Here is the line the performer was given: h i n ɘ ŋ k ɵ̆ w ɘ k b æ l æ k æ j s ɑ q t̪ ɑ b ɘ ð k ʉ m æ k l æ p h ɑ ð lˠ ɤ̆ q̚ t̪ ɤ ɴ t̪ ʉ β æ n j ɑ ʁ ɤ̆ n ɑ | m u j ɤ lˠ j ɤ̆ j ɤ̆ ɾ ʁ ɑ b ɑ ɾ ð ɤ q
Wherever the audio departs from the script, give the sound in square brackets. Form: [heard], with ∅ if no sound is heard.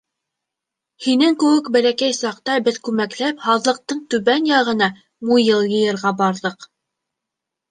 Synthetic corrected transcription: h i n ɘ ŋ k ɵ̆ w ɘ k b æ l æ k æ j s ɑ q t̪ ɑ b ɘ ð k ʉ m æ k l æ p h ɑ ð lˠ ɤ̆ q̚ t̪ ɤ ɴ t̪ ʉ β æ n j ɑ ʁ ɤ̆ n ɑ | m u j ɤ lˠ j ɤ̆ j ɤ̆ ɾ ʁ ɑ b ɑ ɾ ð ɤ q